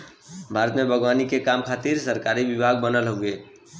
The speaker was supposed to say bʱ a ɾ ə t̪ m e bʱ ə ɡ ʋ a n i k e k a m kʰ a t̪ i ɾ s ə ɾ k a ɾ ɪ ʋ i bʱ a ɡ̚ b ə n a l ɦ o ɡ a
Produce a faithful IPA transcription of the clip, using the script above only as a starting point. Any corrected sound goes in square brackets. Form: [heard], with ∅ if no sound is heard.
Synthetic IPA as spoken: bʱ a ɾ ə t̪ m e bʱ ə ɡ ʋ a n i k e k a m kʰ a t̪ i ɾ s ə ɾ k a ɾ [i] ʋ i bʱ a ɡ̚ b ə n [ə] l ɦ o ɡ [e]